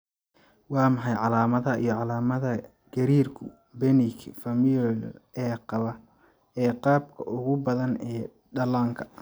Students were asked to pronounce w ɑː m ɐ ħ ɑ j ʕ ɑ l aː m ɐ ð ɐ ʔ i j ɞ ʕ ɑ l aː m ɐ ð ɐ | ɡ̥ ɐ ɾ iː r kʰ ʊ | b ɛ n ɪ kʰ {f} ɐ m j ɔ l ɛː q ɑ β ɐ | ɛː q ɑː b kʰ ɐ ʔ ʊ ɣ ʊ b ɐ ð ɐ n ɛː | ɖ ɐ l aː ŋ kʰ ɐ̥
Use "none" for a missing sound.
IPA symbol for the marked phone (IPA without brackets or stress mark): f